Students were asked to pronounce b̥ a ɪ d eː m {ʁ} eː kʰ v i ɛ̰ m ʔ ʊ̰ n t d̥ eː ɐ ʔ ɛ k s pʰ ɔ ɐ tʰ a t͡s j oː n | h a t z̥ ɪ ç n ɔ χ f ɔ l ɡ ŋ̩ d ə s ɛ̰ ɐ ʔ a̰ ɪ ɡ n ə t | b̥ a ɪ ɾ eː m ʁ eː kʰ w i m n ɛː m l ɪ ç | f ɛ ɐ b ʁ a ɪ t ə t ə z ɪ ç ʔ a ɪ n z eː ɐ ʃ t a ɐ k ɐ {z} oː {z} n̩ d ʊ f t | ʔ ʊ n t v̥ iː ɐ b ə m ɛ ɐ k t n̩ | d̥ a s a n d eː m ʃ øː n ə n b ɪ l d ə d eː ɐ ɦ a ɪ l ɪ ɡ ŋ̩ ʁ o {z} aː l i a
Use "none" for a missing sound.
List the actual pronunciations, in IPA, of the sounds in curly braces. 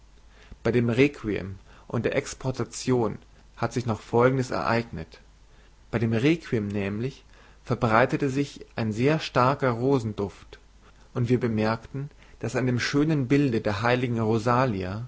ʁ, ʁ, z, z

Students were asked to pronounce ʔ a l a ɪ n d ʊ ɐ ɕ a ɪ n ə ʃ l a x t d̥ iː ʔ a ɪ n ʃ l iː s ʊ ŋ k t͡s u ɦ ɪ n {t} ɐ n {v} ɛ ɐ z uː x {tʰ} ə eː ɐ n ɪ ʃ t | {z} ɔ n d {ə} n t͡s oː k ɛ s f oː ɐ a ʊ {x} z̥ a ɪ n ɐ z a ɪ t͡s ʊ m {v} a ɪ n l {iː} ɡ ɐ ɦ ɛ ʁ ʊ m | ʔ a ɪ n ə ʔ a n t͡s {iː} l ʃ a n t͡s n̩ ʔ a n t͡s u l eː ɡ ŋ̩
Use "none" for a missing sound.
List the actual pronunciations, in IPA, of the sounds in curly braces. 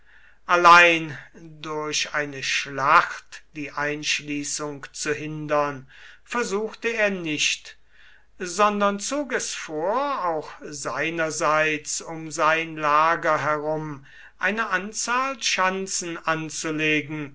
d, f, t, z, ɐ, x, z, aː, aː

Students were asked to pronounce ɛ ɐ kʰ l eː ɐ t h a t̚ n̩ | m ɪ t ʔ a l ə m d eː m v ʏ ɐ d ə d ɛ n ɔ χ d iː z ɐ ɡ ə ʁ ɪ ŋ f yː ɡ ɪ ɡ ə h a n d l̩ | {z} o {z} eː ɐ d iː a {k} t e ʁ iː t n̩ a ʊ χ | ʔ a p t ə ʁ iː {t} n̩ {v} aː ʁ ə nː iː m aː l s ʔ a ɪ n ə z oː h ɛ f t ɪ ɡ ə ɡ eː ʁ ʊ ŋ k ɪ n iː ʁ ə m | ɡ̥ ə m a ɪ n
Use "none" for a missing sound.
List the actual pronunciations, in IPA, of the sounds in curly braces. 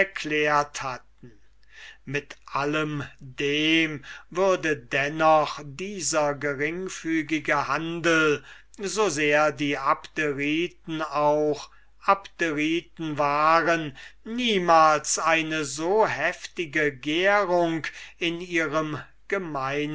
z, z, p, t, v

